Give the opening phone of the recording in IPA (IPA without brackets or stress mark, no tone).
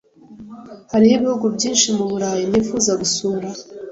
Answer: h